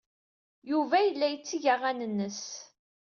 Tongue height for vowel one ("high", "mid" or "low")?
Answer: high